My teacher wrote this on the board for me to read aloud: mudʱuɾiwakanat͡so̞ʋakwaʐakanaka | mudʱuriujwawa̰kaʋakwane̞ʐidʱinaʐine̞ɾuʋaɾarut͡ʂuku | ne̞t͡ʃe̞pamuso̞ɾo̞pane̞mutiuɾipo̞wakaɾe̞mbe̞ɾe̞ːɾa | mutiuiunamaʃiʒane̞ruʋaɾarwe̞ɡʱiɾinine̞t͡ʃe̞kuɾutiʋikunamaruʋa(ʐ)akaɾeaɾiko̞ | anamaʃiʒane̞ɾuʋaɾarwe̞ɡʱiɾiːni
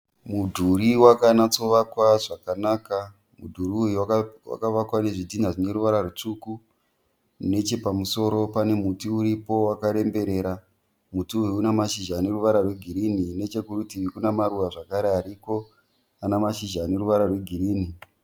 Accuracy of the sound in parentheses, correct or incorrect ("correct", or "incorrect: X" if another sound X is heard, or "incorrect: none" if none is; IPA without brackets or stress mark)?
correct